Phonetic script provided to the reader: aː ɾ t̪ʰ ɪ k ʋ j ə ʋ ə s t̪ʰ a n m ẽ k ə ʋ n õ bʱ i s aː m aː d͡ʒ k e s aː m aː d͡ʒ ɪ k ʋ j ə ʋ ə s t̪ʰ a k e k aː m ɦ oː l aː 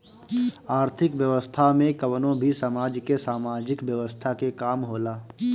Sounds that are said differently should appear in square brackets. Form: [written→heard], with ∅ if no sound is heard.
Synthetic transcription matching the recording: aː ɾ t̪ʰ ɪ k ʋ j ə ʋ ə s t̪ʰ a [n→∅] m ẽ k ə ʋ n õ bʱ i s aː m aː d͡ʒ k e s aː m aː d͡ʒ ɪ k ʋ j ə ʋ ə s t̪ʰ a k e k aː m ɦ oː l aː